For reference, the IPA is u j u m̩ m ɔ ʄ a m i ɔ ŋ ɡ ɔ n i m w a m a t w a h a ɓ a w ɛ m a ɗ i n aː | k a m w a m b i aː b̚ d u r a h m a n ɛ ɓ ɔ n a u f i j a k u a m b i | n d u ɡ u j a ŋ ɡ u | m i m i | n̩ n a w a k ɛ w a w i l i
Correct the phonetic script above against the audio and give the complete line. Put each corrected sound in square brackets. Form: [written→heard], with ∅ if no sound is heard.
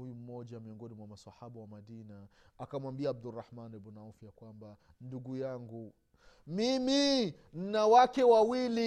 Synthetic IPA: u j u m̩ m ɔ ʄ a m i ɔ ŋ ɡ ɔ n i m w a m a [t→s] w a h a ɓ a w [ɛ→a] m a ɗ i n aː | k a m w a m b i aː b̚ d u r a h m a n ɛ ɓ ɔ n a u f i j a k [u→w] a m b [i→a] | n d u ɡ u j a ŋ ɡ u | m i m i | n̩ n a w a k ɛ w a w i l i